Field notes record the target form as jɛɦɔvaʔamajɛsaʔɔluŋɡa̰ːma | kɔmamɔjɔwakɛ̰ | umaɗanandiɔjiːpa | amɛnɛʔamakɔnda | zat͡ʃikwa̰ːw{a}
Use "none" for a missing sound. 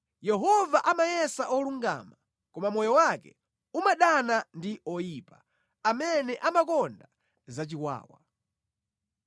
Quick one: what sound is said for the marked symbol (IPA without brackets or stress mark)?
a